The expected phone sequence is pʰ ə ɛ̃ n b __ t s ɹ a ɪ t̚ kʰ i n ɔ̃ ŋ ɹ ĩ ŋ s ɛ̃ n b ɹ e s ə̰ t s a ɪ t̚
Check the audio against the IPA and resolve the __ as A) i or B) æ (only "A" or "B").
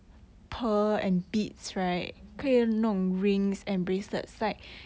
A